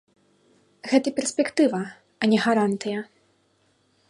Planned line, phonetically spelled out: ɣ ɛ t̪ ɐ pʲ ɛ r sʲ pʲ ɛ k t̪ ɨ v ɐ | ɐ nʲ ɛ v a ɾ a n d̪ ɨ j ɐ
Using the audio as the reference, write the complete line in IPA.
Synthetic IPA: ɣ ɛ t̪ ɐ pʲ ɛ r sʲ pʲ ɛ k t̪ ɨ v ɐ | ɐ nʲ ɛ ɣ a ɾ a n t̪ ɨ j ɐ